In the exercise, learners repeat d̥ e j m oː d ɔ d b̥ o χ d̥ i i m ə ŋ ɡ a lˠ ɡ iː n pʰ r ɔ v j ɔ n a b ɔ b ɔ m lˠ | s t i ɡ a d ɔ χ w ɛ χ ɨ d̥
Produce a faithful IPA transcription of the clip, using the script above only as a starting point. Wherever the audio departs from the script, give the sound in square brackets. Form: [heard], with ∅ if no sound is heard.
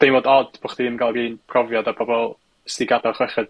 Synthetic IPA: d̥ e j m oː d ɔ d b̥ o χ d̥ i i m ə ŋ ɡ a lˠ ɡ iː n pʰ r ɔ v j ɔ [d] a b ɔ b ɔ [∅] lˠ | s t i ɡ a d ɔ χ w ɛ χ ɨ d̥